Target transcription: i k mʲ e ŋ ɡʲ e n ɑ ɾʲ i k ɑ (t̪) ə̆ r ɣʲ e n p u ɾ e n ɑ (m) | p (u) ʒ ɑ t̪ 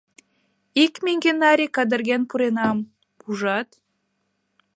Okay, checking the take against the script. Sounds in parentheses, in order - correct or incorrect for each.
incorrect, correct, correct

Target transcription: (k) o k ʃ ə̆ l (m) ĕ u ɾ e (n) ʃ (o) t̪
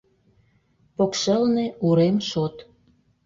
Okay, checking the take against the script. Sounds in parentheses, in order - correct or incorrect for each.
incorrect, incorrect, incorrect, correct

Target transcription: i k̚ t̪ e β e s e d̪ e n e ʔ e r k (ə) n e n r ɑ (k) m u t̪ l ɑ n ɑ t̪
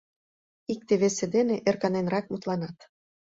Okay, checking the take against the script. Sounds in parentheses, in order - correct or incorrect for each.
incorrect, correct

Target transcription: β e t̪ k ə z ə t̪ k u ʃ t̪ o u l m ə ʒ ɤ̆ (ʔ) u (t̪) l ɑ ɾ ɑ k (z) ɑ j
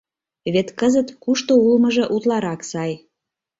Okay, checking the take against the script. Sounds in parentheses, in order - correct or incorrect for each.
correct, correct, incorrect

